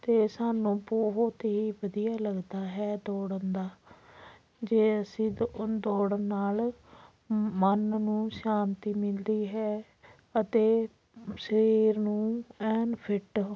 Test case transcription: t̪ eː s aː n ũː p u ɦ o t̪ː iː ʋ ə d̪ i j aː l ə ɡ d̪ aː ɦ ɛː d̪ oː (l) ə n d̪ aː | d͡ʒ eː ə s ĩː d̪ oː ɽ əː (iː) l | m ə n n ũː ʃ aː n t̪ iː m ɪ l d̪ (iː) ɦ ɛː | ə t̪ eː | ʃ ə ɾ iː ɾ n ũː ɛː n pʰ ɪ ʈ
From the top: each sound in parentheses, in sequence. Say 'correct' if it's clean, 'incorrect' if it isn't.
incorrect, incorrect, correct

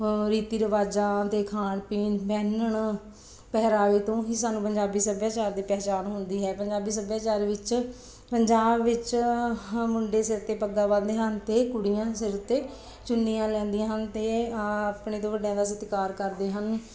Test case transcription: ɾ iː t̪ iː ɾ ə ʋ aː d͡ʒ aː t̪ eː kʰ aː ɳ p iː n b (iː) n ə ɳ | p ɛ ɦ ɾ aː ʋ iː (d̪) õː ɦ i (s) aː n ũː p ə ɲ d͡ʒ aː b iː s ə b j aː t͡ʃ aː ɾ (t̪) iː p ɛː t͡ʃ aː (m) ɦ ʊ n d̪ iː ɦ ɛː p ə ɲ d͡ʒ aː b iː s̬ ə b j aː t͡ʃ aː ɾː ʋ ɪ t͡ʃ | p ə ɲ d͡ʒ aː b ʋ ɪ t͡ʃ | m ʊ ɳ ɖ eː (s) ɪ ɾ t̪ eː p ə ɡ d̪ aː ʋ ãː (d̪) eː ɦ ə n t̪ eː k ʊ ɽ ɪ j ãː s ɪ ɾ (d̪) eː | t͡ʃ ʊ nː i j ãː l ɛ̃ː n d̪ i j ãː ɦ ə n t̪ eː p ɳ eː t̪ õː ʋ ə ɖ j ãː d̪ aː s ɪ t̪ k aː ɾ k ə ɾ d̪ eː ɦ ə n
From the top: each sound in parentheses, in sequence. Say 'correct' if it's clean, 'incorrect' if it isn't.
incorrect, incorrect, correct, incorrect, incorrect, correct, correct, incorrect

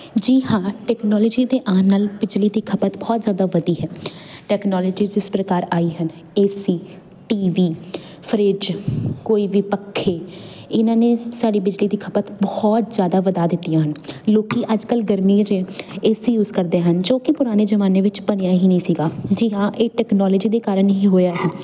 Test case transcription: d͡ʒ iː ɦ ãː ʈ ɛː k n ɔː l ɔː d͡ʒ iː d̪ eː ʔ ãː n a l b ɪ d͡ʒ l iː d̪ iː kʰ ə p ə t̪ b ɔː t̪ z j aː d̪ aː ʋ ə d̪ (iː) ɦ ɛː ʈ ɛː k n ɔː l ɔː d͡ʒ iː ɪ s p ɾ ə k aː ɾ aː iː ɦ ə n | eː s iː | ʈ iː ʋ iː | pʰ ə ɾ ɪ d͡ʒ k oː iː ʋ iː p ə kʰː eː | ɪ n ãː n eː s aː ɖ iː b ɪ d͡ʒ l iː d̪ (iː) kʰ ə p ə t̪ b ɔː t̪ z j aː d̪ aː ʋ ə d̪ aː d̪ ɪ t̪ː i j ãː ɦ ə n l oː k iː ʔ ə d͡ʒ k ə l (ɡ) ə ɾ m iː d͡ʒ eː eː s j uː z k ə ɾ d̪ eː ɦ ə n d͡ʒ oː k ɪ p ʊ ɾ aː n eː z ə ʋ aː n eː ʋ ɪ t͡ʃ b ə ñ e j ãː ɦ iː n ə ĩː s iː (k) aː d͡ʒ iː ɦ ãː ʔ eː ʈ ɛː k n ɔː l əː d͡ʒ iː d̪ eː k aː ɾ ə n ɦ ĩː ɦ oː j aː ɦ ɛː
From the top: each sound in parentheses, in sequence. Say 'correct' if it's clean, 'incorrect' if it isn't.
correct, correct, correct, incorrect

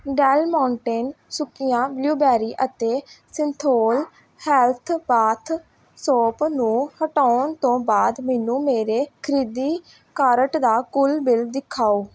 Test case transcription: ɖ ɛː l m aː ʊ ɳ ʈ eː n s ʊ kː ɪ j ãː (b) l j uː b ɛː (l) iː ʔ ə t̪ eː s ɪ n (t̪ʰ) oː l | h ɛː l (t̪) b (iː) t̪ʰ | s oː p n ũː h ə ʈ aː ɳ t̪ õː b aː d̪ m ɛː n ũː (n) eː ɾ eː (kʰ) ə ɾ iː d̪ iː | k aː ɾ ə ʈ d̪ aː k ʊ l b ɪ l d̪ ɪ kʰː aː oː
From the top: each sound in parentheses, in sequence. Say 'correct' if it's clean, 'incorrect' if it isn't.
correct, incorrect, correct, incorrect, incorrect, incorrect, correct

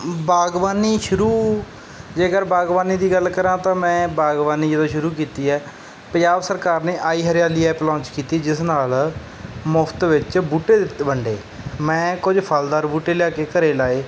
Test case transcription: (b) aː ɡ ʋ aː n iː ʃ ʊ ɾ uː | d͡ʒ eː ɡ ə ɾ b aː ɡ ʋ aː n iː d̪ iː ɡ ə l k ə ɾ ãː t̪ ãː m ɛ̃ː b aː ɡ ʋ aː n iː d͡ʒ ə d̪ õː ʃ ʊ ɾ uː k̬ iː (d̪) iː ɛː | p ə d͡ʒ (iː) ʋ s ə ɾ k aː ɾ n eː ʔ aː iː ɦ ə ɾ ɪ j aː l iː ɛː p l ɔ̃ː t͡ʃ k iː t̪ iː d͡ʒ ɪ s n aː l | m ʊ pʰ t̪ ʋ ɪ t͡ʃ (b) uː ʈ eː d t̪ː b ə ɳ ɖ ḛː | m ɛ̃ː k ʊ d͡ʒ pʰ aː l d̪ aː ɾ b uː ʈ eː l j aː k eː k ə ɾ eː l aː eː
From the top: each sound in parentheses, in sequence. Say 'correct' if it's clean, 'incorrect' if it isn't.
correct, incorrect, incorrect, correct

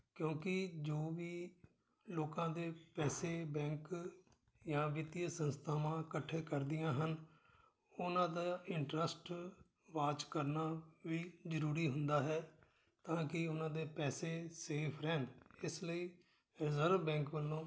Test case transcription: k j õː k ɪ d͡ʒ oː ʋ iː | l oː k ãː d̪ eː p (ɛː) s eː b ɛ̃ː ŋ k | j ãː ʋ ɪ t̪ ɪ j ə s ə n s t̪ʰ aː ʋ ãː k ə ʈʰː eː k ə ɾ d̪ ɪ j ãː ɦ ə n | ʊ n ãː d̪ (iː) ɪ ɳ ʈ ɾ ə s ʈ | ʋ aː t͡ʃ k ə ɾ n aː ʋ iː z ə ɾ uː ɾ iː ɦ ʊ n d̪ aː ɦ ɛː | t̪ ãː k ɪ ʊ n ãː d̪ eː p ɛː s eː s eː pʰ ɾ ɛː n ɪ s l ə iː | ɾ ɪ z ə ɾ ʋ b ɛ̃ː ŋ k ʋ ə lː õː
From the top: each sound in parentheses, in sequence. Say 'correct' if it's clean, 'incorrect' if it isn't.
correct, incorrect

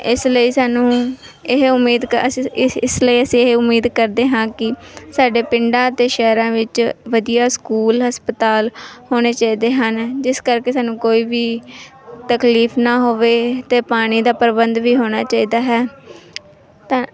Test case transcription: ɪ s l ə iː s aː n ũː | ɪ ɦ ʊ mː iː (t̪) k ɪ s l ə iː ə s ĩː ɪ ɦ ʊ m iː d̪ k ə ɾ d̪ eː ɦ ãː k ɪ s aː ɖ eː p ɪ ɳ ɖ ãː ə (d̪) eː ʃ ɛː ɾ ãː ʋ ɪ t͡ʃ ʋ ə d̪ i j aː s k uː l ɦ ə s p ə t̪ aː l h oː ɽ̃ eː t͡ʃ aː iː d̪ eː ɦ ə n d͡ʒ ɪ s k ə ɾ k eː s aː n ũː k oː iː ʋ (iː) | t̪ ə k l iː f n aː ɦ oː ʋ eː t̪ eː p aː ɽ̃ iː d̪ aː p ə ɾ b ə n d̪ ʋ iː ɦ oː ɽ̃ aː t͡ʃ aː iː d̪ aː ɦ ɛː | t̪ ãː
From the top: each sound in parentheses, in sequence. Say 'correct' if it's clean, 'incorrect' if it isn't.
incorrect, incorrect, correct

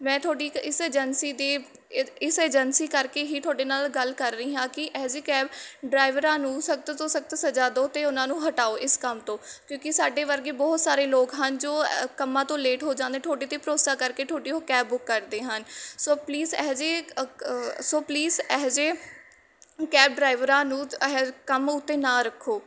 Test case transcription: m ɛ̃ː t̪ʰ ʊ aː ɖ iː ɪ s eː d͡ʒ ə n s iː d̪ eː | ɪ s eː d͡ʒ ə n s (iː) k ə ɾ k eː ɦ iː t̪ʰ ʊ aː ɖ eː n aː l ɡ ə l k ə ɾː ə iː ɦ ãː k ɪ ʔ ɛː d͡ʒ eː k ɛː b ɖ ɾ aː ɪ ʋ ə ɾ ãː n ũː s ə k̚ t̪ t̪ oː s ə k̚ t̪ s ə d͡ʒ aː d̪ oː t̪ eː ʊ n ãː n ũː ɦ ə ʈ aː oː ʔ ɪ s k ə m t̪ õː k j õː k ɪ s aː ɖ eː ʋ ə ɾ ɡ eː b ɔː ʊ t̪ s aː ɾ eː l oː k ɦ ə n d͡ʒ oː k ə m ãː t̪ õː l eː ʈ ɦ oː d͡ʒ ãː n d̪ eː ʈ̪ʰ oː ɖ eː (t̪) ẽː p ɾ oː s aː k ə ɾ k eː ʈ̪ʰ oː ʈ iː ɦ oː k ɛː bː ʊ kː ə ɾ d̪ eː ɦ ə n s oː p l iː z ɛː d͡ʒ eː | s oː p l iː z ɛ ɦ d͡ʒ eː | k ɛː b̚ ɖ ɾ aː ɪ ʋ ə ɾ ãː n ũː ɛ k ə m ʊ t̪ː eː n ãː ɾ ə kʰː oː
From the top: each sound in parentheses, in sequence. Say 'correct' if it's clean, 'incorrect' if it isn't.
correct, correct

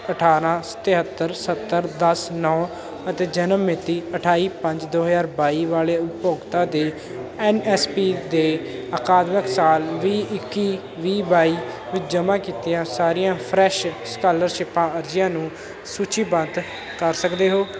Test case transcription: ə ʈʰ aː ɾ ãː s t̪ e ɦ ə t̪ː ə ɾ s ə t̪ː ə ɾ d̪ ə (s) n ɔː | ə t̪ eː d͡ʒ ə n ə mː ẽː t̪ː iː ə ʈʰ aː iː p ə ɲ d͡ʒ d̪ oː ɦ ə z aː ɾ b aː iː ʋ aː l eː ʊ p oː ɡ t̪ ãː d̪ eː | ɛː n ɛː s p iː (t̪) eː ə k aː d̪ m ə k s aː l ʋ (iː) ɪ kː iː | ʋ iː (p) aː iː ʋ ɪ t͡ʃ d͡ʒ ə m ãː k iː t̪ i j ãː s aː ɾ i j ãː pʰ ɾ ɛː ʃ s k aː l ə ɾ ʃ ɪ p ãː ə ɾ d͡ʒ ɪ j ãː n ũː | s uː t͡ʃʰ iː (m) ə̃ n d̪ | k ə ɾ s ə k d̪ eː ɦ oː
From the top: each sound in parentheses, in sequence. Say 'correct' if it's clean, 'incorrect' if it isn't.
correct, incorrect, correct, incorrect, incorrect

